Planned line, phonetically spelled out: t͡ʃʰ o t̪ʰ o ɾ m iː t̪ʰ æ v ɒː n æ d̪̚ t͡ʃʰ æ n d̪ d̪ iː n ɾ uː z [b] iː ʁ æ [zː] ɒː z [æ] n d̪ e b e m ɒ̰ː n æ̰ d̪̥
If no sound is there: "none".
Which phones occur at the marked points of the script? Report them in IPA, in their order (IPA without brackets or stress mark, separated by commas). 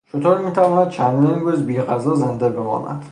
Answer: b, z, e